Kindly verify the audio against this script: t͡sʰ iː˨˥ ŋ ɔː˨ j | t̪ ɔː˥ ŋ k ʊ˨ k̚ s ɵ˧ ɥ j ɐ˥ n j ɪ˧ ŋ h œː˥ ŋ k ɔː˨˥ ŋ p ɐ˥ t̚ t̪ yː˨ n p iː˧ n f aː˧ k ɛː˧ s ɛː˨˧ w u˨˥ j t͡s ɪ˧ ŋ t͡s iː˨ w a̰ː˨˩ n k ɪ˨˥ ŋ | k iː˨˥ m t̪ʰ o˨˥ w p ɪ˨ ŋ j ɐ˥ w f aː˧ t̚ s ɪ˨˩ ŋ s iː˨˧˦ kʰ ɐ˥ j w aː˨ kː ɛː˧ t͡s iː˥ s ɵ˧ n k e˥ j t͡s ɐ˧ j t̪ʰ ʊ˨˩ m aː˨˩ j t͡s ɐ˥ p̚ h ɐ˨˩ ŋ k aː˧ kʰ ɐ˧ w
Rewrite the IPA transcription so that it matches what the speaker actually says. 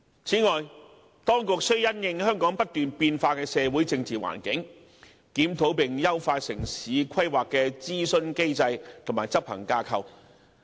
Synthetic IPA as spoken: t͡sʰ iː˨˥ ŋ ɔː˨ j | t̪ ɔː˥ ŋ k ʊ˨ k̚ s ɵ˥ ɥ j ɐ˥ n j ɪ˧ ŋ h œː˥ ŋ k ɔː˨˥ ŋ p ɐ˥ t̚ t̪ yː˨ n p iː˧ n f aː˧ k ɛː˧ s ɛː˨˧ w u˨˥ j t͡s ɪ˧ ŋ t͡s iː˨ w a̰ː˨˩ n k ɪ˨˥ ŋ | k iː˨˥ m t̪ʰ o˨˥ w p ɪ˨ ŋ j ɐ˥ w f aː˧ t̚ s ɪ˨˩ ŋ s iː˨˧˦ kʰ ɐ˥ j w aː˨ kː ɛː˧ t͡s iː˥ s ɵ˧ n k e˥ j t͡s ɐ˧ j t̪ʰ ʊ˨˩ m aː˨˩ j t͡s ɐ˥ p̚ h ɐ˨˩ ŋ k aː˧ kʰ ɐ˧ w